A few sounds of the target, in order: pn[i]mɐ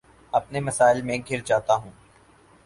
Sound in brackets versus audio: incorrect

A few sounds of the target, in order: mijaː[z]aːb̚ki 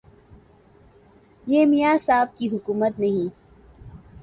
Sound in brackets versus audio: incorrect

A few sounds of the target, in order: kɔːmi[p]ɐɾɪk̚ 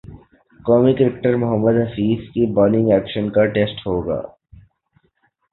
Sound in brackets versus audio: incorrect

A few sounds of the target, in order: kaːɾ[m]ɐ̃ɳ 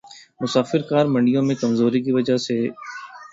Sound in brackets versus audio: correct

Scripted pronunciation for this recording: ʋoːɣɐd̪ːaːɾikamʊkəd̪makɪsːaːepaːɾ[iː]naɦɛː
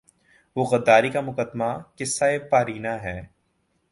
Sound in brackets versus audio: correct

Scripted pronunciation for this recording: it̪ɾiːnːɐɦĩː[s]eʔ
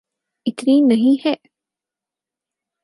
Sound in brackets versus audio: incorrect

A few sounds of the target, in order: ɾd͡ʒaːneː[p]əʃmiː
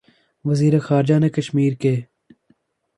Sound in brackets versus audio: incorrect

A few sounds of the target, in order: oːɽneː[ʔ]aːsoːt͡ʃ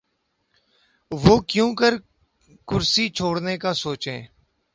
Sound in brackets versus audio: incorrect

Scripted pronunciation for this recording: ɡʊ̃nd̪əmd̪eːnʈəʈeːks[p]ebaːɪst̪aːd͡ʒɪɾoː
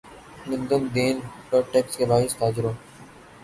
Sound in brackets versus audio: incorrect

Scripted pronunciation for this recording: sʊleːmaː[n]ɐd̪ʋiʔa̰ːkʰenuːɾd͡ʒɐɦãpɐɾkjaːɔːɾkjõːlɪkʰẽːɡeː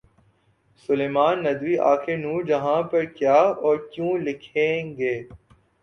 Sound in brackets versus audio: incorrect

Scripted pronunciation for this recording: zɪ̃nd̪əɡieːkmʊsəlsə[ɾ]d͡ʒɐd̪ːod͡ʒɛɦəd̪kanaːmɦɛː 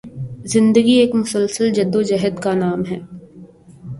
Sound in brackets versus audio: incorrect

